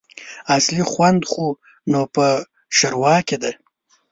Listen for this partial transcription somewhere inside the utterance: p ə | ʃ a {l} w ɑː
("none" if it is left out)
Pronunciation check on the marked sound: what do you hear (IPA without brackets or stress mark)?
ɾ